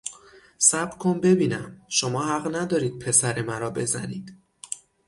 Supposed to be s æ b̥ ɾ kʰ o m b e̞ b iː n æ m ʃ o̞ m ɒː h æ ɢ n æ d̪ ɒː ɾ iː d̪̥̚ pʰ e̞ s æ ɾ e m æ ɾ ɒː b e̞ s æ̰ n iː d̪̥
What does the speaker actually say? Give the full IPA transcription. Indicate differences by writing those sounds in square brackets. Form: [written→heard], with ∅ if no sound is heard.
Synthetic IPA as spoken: s æ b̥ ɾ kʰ o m b e̞ b iː n æ m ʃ o̞ m ɒː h æ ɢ n æ d̪ ɒː ɾ iː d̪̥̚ pʰ e̞ s æ ɾ e m æ ɾ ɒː b e̞ [s→z] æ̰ n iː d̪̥